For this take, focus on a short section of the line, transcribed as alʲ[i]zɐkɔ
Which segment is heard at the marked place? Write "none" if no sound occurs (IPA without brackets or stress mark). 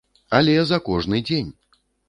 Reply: ɛ